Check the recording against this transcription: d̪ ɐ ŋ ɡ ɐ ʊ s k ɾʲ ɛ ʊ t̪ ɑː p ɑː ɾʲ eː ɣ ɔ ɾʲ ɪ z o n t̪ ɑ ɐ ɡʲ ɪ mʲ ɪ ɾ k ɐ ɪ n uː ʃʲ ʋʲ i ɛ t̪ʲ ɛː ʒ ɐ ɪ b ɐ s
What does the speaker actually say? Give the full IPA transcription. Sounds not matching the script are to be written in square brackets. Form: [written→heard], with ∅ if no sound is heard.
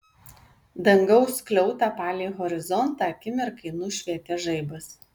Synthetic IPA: d̪ ɐ ŋ ɡ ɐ ʊ s k [ɾʲ→lʲ] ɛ ʊ t̪ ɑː p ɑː [ɾʲ→lʲ] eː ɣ ɔ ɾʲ ɪ z [o→ɔ] n t̪ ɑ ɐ [ɡʲ→kʲ] ɪ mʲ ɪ ɾ k ɐ ɪ n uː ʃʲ ʋʲ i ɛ t̪ʲ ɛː ʒ ɐ ɪ b ɐ s